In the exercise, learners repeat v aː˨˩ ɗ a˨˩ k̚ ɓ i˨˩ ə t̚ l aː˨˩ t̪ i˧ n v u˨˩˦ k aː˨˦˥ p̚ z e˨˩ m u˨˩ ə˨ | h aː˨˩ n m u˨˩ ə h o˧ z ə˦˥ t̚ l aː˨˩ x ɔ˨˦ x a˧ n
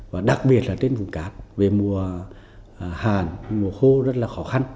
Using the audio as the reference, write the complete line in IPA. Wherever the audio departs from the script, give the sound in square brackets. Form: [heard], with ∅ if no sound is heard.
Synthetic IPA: v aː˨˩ ɗ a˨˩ k̚ ɓ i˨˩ ə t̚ l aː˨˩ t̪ [e˧] n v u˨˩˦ k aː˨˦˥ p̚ [v] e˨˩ m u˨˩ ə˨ | h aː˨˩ n m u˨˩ ə [x] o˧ z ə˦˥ t̚ l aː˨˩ x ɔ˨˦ x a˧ n